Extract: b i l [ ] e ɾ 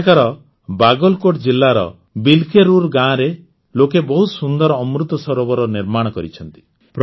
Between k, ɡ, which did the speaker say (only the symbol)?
k